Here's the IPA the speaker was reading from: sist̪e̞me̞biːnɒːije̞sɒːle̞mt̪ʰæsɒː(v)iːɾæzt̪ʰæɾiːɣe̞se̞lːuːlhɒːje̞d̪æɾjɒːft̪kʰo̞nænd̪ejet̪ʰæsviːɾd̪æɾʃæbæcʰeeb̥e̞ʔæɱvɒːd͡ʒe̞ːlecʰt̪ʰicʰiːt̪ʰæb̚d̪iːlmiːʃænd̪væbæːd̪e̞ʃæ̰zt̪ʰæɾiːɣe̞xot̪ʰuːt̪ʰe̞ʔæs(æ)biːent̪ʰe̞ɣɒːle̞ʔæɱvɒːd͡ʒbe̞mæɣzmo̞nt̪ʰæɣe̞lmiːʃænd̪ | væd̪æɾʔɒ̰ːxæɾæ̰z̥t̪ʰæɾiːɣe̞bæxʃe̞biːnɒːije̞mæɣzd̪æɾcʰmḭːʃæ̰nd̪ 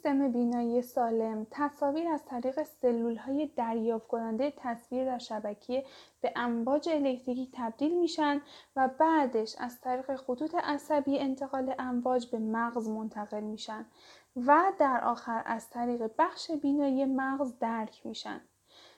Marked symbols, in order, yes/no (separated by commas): yes, yes